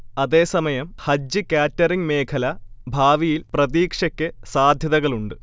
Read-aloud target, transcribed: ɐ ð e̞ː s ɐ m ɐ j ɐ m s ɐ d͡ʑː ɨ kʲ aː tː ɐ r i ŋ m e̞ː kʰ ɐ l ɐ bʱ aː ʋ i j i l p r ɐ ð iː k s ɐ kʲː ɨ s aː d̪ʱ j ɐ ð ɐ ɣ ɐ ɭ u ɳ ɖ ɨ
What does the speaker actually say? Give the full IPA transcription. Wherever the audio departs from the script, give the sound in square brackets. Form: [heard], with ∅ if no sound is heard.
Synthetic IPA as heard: ɐ ð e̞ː s ɐ m ɐ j ɐ m [h] ɐ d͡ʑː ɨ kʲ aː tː ɐ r i ŋ m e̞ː kʰ ɐ l ɐ bʱ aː ʋ i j i l p r ɐ ð iː k [ʂ] ɐ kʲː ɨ s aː d̪ʱ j ɐ ð ɐ ɣ ɐ ɭ u ɳ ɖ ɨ

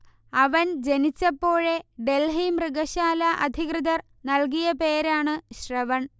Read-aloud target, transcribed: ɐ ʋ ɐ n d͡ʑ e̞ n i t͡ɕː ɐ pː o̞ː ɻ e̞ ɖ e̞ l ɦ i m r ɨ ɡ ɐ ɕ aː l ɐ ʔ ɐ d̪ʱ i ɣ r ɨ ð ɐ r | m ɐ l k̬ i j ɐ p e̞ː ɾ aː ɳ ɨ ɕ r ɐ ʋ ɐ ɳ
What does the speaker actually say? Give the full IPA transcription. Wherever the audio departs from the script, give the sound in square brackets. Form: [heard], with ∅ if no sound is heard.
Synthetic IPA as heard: ɐ ʋ ɐ n d͡ʑ e̞ n i t͡ɕː ɐ pː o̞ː ɻ e̞ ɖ e̞ l ɦ i m r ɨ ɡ ɐ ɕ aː l ɐ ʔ ɐ d̪ʱ i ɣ r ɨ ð ɐ r | [n] ɐ l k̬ i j ɐ p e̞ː ɾ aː ɳ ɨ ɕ r ɐ ʋ ɐ ɳ

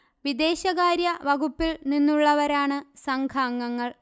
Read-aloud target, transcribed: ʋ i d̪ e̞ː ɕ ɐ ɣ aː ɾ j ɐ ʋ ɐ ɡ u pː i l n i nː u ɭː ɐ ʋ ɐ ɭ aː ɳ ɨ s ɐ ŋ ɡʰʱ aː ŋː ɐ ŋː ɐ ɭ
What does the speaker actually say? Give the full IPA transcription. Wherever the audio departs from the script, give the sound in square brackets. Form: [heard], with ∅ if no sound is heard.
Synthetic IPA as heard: ʋ i d̪ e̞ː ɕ ɐ ɣ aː ɾ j ɐ ʋ ɐ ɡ u pː i l n i nː u ɭː ɐ ʋ ɐ [ɾ] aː ɳ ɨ s ɐ ŋ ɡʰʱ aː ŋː ɐ ŋː ɐ ɭ

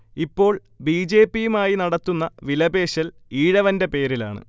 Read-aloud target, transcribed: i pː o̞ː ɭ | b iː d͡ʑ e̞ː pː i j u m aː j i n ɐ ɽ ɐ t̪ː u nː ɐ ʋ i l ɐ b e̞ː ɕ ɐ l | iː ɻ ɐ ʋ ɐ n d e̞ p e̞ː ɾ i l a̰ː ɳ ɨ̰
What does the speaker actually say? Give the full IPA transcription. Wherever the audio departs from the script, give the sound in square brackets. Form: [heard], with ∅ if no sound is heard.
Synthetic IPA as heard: i pː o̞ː ɭ | b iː d͡ʑ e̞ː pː i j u m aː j i n ɐ ɽ ɐ t̪ː u nː ɐ ʋ i l ɐ b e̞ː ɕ ɐ l | iː ɻ ɐ ʋ ɐ n d e̞ p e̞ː ɾ i l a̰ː ɳ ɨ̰

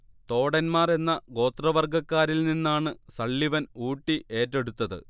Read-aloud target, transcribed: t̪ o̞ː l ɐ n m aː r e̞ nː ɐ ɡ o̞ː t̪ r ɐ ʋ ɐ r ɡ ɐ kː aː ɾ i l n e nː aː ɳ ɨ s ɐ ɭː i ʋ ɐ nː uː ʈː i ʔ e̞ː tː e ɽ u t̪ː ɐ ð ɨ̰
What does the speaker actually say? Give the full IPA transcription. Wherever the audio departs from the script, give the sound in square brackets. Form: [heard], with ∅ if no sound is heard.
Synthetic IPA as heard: t̪ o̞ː [ɽ] ɐ n m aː r e̞ nː ɐ ɡ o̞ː t̪ r ɐ ʋ ɐ r ɡ ɐ kː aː ɾ i l n [i] nː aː ɳ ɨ s ɐ ɭː i ʋ ɐ [n] uː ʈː i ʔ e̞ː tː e ɽ u t̪ː ɐ ð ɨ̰

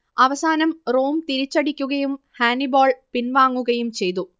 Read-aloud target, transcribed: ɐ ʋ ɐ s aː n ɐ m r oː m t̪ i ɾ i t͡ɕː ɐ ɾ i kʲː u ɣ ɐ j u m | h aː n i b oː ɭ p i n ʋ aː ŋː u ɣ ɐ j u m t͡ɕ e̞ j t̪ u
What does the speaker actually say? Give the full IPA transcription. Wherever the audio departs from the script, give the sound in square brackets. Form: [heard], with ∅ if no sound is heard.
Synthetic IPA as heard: ɐ ʋ ɐ s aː n ɐ m r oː m t̪ i ɾ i t͡ɕː ɐ [ɽ] i kʲː u ɣ ɐ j u m | h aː n i b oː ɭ p i n ʋ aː ŋː u ɣ ɐ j u m t͡ɕ e̞ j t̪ u

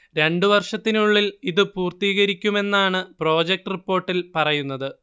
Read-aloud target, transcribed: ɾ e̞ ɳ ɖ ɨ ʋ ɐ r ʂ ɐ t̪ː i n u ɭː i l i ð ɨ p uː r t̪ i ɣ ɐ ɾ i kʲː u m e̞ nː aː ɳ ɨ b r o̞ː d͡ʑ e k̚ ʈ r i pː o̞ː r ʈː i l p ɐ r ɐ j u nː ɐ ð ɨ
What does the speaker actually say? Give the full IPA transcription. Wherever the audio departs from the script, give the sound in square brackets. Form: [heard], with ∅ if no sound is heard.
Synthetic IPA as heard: ɾ e̞ ɳ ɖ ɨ ʋ ɐ r ʂ ɐ t̪ː i n u ɭː i l i ð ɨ p uː r t̪ [iː] ɣ ɐ ɾ i kʲː u m e̞ nː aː ɳ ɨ [p] r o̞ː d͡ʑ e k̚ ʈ r i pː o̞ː r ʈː i l p ɐ r ɐ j u nː ɐ ð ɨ

